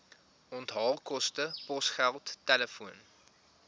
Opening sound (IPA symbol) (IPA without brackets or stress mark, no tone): ɔ